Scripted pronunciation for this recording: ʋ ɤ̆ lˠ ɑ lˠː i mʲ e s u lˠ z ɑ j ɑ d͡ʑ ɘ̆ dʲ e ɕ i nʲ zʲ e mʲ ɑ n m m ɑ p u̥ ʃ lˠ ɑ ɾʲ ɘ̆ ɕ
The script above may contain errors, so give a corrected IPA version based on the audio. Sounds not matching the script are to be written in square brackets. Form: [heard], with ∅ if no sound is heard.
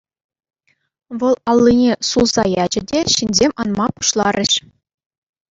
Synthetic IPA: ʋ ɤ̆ lˠ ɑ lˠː i [nʲ] e s u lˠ z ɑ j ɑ d͡ʑ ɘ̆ dʲ e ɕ i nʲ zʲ e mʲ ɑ n m m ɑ p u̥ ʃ lˠ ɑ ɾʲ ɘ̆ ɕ